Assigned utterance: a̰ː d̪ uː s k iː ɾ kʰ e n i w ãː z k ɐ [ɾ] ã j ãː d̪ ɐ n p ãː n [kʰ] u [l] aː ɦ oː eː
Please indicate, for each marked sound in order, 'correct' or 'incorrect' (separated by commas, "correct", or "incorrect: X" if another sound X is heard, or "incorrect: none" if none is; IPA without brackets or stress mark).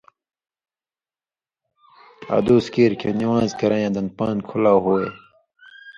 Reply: correct, correct, correct